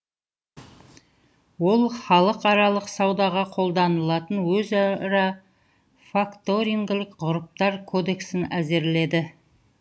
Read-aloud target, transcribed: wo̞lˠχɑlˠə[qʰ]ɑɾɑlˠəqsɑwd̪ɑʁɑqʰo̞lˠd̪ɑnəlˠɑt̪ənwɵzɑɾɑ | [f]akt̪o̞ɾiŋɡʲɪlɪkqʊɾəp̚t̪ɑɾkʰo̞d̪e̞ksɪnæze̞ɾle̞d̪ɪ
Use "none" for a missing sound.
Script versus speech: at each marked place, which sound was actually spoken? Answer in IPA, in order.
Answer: q, f

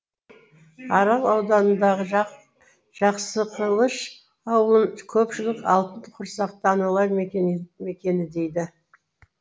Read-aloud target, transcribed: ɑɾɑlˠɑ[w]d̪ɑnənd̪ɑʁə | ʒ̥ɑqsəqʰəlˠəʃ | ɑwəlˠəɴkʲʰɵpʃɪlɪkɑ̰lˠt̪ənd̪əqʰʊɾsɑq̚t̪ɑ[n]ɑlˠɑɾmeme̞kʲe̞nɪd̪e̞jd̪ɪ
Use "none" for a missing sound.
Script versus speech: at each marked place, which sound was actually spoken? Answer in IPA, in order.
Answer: w, n

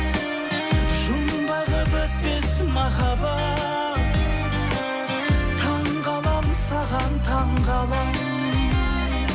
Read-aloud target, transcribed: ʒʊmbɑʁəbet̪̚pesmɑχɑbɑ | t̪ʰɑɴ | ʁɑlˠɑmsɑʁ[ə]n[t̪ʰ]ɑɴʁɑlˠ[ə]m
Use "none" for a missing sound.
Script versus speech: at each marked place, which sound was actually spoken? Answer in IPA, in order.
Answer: ɑ, t̪ʰ, ɑ

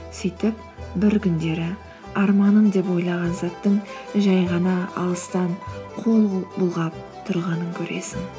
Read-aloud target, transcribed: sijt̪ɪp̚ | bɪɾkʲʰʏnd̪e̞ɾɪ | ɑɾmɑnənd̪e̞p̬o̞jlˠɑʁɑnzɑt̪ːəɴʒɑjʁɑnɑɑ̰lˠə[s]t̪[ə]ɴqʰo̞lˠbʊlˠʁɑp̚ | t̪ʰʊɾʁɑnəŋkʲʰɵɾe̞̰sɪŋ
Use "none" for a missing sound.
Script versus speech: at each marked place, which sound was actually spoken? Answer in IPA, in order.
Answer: s, ɑ

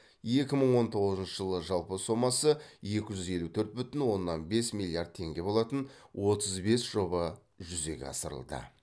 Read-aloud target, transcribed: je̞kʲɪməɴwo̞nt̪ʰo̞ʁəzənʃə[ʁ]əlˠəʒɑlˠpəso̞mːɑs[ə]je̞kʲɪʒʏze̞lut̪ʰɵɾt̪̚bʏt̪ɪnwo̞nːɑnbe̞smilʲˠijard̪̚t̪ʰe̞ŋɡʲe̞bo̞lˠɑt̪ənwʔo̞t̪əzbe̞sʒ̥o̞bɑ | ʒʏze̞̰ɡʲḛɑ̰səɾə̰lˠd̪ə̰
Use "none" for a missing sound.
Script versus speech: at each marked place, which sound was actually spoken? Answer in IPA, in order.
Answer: ʒ, ə

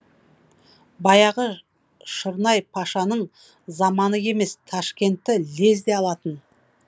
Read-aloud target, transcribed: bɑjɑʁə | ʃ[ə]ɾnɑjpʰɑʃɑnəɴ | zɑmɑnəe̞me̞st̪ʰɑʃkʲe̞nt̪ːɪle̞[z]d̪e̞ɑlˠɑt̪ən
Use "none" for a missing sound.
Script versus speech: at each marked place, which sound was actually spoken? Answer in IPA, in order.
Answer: ə, z

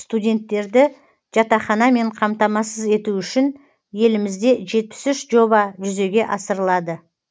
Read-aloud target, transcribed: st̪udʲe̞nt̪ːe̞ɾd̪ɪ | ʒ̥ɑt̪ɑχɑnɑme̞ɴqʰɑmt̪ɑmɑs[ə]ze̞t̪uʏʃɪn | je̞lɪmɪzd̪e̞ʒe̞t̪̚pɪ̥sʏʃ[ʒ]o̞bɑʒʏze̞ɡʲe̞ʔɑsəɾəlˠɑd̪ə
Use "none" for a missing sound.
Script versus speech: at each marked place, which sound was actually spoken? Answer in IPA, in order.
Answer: ə, ʒ

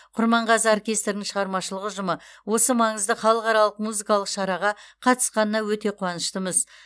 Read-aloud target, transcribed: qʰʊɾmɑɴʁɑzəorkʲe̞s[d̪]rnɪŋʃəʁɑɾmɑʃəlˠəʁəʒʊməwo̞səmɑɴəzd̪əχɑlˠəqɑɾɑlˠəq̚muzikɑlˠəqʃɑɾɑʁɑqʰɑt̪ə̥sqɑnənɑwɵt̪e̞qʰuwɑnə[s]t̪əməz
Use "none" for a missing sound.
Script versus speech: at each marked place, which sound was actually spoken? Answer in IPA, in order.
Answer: t̪, ʃ

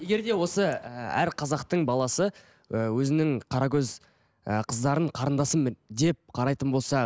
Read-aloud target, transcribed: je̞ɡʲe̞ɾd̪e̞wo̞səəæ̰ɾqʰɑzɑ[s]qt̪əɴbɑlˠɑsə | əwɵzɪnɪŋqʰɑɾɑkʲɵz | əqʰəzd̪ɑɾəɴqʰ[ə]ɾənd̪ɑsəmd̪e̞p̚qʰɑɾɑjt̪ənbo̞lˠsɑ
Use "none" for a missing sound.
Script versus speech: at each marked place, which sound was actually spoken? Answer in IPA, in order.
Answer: none, ɑ

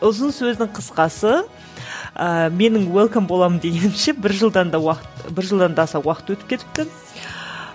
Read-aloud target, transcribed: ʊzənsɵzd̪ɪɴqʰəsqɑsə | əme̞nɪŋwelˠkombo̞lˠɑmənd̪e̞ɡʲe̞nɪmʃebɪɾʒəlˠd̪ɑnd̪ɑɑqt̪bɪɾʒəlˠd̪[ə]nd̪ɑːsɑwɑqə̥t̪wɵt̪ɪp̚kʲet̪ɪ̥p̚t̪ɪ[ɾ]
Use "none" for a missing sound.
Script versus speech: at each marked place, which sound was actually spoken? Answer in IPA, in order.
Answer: ɑ, none

